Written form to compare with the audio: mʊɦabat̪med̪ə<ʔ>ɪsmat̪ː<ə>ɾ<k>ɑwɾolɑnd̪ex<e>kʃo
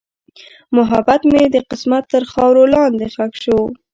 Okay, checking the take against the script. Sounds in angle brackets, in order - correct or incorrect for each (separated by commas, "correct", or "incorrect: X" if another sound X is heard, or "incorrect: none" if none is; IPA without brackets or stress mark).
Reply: incorrect: q, correct, incorrect: x, incorrect: a